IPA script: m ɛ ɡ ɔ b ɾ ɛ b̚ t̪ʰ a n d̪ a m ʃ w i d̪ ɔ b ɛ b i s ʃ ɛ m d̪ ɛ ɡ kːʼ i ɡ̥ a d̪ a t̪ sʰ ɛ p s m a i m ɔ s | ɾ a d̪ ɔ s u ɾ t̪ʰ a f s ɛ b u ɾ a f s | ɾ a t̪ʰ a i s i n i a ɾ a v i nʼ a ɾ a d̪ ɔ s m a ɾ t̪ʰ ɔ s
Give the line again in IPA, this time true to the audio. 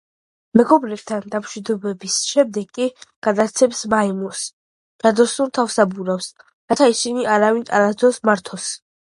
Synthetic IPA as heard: m ɛ ɡ ɔ b ɾ ɛ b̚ t̪ʰ a n d̪ a m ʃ w i d̪ ɔ b ɛ b i s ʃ ɛ m d̪ ɛ ɡ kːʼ i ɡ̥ a d̪ a t̪ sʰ ɛ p s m a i m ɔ s | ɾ a d̪ ɔ s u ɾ t̪ʰ a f s a b u ɾ a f s | ɾ a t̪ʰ a i s i n i a ɾ a v i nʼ a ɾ a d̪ ɔ s m a ɾ t̪ʰ ɔ s